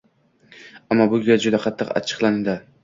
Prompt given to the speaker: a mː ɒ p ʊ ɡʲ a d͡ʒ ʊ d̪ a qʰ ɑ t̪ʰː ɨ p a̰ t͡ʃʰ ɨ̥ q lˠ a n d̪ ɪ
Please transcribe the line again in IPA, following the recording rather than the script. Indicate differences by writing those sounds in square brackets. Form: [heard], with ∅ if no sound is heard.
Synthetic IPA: a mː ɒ [b] ʊ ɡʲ a d͡ʒ ʊ d̪ a qʰ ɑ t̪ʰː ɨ [q] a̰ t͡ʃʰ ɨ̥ q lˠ a n d̪ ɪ